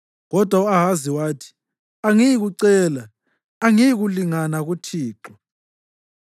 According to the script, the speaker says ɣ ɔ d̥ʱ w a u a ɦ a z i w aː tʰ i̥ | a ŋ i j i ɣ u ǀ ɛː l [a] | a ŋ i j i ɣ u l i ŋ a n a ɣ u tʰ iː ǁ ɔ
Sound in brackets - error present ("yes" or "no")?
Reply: no